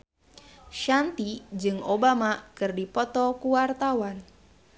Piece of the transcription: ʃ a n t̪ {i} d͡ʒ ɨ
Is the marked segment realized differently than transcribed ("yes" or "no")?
no